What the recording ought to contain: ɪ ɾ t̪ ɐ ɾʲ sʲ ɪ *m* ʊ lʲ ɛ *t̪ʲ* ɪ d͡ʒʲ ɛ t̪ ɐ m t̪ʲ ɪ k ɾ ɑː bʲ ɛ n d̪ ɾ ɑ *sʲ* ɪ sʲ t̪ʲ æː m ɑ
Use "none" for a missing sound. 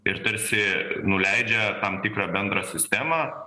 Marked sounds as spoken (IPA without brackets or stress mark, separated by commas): n, none, sʲ